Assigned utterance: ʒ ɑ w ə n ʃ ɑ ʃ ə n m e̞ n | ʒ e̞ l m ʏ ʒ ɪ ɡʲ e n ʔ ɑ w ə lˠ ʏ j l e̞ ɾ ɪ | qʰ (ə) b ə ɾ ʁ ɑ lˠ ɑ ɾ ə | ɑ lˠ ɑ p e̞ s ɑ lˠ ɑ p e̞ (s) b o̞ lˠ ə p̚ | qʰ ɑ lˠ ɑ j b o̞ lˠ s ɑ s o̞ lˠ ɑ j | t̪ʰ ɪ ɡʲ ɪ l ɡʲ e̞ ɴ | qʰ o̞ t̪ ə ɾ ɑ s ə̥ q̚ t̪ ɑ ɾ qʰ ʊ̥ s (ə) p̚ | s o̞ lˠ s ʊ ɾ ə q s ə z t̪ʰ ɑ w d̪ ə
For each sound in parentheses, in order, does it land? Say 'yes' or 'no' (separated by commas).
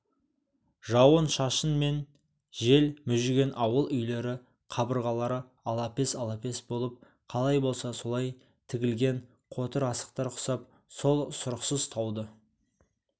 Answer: no, yes, no